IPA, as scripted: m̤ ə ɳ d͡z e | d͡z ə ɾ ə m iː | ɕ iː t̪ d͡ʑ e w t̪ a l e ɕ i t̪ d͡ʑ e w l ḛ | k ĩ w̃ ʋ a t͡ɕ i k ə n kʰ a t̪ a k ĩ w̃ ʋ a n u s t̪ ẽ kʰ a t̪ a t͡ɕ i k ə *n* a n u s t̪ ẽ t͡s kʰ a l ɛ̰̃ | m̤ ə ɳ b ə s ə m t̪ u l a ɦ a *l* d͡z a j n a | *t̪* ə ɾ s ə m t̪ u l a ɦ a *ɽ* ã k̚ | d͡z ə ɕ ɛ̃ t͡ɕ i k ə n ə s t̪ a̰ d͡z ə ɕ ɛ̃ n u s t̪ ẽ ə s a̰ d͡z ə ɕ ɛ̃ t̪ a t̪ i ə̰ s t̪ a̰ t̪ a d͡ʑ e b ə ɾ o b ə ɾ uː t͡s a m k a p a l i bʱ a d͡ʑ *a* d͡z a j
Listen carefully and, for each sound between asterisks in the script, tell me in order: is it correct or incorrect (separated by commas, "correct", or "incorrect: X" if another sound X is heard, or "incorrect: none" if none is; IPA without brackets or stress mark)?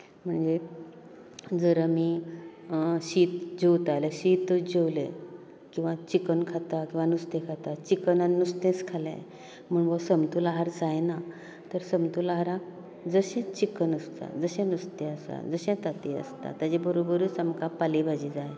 correct, incorrect: ɾ, correct, incorrect: ɾ, incorrect: i